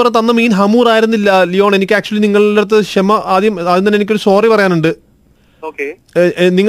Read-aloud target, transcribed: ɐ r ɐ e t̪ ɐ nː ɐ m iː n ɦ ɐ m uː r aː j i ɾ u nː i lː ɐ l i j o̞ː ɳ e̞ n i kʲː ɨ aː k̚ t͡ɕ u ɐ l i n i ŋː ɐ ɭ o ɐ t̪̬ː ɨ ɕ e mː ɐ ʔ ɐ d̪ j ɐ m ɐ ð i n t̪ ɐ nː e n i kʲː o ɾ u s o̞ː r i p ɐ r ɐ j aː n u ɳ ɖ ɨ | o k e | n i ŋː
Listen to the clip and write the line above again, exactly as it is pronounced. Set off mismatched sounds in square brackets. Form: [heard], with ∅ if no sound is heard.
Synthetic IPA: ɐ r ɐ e t̪ ɐ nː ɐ m iː n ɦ ɐ m uː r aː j i ɾ u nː i lː ɐ l i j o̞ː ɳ e̞ n i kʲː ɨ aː k̚ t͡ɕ u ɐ l i n i ŋː ɐ ɭ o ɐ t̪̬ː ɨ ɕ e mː ɐ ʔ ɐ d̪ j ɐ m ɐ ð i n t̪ ɐ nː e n i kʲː o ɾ u s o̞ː r i p ɐ r ɐ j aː n u ɳ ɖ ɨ | o k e | n i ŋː